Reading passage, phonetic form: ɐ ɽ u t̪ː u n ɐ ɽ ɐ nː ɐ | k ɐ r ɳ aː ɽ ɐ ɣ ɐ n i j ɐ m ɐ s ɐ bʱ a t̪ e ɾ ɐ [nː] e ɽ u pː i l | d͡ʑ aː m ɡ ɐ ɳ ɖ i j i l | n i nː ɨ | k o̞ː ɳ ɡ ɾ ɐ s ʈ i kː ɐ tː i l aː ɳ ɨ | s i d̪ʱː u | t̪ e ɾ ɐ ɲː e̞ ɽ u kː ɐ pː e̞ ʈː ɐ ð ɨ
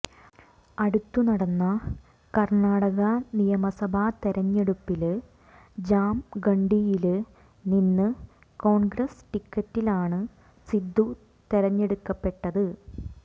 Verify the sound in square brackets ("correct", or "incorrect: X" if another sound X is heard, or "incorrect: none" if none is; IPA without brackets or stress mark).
incorrect: ɲː